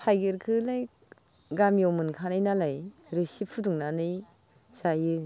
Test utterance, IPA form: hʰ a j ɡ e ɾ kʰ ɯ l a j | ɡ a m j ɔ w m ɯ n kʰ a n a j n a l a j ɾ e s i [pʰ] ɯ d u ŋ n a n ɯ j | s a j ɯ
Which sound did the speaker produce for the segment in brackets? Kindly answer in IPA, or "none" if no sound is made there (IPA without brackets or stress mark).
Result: pʰ